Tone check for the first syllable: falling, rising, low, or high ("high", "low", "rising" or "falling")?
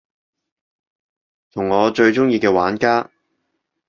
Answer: low